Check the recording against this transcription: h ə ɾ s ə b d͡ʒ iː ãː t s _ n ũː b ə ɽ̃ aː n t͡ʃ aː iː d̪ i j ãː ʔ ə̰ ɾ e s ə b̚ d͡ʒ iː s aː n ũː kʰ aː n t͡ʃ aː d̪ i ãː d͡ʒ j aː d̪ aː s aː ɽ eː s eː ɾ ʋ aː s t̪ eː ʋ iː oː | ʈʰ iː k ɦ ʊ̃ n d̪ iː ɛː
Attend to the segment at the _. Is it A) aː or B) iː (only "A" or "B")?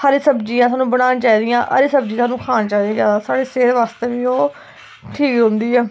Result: A